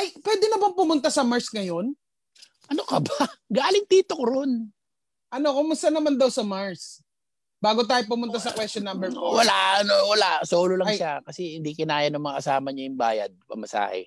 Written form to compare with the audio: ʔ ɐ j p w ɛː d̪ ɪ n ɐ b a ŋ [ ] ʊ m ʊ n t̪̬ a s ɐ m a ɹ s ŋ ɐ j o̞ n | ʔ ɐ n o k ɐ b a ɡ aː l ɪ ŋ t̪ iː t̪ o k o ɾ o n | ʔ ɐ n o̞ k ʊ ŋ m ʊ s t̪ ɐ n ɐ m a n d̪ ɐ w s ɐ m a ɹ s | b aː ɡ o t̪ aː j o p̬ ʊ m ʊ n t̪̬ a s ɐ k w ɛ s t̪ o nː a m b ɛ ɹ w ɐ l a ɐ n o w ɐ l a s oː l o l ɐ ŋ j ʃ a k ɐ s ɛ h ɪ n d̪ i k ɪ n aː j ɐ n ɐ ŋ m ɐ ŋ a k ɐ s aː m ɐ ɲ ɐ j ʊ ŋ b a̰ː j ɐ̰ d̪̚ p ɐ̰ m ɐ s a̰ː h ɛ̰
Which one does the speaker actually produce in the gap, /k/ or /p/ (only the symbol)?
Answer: p